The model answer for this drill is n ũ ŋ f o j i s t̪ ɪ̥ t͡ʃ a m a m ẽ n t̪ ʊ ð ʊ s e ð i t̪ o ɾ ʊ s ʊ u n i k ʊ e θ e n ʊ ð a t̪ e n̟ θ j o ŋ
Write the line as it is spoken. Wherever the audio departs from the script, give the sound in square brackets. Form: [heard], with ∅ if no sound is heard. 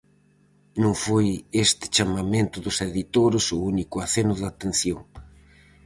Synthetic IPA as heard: n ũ ŋ f o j [e] s t̪ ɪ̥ t͡ʃ a m a m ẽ n t̪ ʊ ð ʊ s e ð i t̪ o ɾ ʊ s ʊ u n i k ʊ [a] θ e n ʊ ð a t̪ e n̟ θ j o ŋ